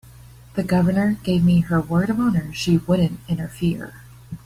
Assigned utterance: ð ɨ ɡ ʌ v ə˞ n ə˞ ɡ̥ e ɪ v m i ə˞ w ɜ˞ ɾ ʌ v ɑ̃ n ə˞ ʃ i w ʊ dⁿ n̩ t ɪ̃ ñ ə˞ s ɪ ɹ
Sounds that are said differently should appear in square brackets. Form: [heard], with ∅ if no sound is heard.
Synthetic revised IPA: ð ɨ ɡ ʌ v ə˞ n ə˞ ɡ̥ e ɪ v m i ə˞ w ɜ˞ ɾ ʌ v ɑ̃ n ə˞ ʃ i w ʊ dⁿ n̩ t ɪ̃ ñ ə˞ [f] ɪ ɹ